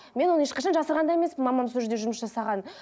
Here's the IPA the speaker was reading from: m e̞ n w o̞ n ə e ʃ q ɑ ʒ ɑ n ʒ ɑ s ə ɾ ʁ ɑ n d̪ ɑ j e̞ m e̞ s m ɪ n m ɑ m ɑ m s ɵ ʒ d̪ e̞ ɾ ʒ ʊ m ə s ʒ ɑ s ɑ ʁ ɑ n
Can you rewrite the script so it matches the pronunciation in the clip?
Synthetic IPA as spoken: m e̞ n w o̞ n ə e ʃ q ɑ ʃ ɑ n ʒ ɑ s ə ɾ ʁ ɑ n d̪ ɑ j e̞ m e̞ s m ɪ n m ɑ m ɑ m s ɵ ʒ d̪ e̞ ʒ ʊ m ə s ʒ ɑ s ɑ ʁ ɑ n